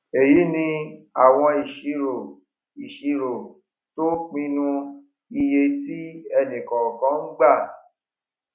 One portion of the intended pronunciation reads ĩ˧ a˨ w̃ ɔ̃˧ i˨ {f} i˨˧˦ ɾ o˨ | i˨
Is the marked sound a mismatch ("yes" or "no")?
yes